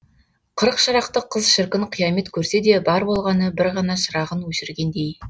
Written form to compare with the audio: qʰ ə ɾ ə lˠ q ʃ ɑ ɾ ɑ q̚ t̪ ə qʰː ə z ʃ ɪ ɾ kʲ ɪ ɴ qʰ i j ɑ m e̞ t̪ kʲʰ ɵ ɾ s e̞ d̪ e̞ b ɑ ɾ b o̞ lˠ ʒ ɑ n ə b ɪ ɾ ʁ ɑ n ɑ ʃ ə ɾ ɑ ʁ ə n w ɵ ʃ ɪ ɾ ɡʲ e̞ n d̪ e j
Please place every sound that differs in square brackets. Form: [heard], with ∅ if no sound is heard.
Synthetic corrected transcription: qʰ ə ɾ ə [∅] q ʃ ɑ ɾ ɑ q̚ t̪ ə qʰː ə z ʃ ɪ ɾ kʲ ɪ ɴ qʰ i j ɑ m e̞ t̪ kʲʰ ɵ ɾ s e̞ d̪ e̞ b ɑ ɾ b o̞ lˠ [ʁ] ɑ n ə b ɪ ɾ ʁ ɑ n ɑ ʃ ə ɾ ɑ ʁ ə n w ɵ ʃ ɪ ɾ ɡʲ e̞ n d̪ e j